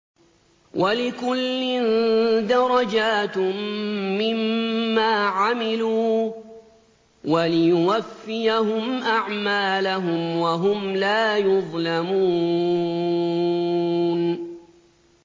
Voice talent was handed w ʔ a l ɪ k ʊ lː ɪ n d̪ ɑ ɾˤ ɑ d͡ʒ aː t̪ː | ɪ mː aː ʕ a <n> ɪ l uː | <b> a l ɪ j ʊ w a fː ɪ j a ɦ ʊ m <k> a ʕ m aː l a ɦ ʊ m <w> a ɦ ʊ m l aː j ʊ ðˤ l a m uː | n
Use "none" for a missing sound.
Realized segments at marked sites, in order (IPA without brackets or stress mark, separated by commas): m, w, ʔ, w